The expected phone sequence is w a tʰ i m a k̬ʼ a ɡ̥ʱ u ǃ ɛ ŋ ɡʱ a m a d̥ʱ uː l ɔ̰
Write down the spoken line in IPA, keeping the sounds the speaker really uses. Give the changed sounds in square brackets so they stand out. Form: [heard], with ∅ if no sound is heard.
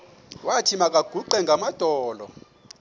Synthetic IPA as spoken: w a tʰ i m a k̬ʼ a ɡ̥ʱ u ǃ ɛ ŋ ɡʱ a m a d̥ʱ [ɔː] l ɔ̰